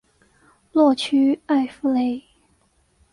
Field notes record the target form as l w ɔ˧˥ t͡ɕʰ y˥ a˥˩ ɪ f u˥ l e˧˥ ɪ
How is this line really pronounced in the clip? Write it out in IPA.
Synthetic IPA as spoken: l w ɔ˥˩ t͡ɕʰ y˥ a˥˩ ɪ f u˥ l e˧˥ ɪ

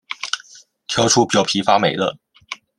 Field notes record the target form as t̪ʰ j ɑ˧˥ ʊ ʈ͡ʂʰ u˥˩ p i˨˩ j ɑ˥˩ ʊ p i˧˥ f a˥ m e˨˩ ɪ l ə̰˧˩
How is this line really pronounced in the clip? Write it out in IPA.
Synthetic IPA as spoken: t̪ʰ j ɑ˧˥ ʊ ʈ͡ʂʰ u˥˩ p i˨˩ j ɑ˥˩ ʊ pʰ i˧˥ f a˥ m e˨˩ ɪ l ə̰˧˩

